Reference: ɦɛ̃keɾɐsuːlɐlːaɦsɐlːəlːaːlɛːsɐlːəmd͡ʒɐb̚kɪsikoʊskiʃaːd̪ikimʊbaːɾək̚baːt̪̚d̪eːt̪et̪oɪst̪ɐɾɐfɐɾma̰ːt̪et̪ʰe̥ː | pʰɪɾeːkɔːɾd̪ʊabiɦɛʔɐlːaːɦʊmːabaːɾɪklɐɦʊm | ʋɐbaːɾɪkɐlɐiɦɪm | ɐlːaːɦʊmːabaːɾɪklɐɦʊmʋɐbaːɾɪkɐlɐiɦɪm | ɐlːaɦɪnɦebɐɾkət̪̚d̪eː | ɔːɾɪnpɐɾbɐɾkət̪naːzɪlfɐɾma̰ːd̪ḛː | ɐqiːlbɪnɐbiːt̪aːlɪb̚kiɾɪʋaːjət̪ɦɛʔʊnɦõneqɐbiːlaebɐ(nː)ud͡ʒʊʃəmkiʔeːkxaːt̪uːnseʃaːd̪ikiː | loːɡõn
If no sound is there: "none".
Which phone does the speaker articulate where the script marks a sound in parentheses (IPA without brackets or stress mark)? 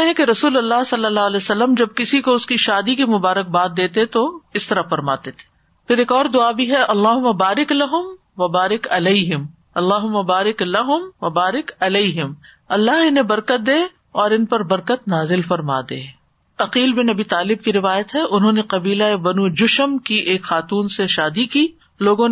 n